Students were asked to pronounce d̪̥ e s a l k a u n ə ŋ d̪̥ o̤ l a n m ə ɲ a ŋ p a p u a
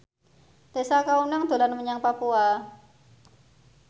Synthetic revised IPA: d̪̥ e s a k a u n a ŋ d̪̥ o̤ l a n m ə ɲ a ŋ p a p u a

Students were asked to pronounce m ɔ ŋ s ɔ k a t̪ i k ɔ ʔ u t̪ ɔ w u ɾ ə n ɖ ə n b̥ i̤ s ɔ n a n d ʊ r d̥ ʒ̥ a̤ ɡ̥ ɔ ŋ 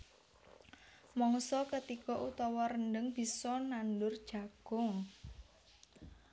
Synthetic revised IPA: m ɔ ŋ s ɔ k ə t̪ i k ɔ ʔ u t̪ ɔ w ɔ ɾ ə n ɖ ə ŋ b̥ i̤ s ɔ n a n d ʊ r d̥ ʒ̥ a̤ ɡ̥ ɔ ŋ

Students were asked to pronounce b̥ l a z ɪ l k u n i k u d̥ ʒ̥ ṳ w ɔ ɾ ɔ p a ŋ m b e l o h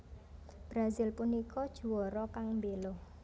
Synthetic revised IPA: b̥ ɾ a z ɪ l p u n i k ɔ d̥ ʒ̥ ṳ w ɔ ɾ ɔ k a ŋ m b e l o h

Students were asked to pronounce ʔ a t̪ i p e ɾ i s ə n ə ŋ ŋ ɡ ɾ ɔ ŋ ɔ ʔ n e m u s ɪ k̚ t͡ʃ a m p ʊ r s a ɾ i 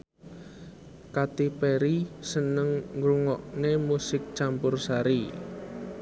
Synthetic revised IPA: k a t̪ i p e ɾ i s ə n ə ŋ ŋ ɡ ɾ u ŋ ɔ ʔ n e m u s ɪ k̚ t͡ʃ a m p ʊ r s a ɾ i

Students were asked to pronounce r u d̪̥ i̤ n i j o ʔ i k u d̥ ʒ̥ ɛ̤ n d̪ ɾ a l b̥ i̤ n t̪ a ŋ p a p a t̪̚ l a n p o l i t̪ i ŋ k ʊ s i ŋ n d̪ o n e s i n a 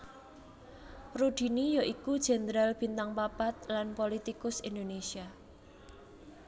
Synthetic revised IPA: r u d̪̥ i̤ n i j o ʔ i k u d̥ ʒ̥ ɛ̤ n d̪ ɾ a l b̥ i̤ n t̪ a ŋ p a p a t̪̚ l a n p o l i t̪ i k ʊ s i n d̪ o n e s i a

